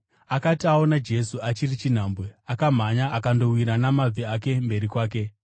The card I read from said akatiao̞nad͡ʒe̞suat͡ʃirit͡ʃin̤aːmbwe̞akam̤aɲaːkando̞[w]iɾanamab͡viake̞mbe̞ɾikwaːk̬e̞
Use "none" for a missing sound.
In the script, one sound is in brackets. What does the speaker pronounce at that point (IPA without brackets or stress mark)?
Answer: w